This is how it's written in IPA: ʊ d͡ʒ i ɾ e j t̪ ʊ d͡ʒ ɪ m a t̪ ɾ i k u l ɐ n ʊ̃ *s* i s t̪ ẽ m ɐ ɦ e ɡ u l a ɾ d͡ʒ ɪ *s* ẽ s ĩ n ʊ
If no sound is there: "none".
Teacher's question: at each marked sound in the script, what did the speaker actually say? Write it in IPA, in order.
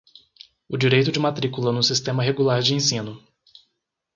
s, none

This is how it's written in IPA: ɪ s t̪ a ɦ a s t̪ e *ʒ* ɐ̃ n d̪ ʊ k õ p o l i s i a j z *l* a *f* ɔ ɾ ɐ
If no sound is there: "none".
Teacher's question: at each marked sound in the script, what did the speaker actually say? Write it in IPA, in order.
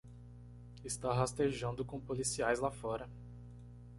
ʒ, l, f

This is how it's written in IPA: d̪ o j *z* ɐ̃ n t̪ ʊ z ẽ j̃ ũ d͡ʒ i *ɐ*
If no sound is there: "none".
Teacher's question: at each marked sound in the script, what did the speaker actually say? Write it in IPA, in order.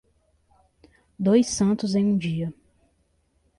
s, ɐ

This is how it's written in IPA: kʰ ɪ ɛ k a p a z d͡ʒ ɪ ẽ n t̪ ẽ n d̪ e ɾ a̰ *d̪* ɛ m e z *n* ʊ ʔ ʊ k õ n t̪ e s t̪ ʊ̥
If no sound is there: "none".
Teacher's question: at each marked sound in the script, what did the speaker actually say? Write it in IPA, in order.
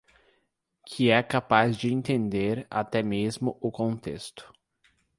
t̪, m

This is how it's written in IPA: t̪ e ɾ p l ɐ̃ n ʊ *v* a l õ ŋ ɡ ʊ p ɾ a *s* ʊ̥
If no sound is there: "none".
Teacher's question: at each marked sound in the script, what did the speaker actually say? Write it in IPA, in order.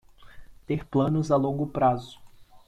z, z

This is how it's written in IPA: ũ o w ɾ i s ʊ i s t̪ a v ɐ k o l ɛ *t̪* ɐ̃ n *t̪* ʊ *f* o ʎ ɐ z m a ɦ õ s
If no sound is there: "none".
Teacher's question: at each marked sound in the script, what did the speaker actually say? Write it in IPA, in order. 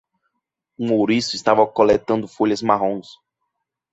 t̪, d̪, f

